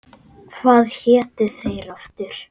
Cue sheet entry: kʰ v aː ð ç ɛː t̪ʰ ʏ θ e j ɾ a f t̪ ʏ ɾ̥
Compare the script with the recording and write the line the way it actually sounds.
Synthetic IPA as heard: kʰ v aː ð ç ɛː t̪ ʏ θ e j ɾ a f t̪ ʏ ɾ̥